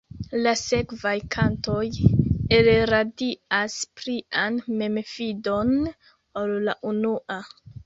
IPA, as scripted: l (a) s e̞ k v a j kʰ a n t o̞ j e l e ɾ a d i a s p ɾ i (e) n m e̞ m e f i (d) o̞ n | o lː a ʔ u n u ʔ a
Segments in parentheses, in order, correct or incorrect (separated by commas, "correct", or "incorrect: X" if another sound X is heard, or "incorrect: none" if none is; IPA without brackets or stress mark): correct, incorrect: a, correct